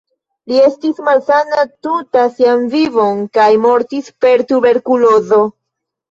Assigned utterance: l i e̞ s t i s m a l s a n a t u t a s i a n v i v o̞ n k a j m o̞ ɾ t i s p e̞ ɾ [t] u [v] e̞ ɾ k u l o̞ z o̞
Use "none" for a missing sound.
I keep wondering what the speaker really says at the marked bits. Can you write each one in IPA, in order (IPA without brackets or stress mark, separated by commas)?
t, b